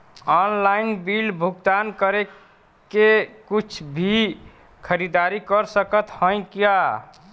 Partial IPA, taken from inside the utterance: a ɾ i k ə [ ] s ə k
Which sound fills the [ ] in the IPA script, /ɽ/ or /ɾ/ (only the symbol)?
ɾ